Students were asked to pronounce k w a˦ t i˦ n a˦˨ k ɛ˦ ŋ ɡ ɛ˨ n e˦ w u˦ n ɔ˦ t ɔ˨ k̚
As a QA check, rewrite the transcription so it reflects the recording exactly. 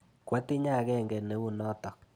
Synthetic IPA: k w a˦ t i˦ ɲ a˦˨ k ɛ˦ ŋ ɡ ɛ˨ n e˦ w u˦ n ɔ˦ t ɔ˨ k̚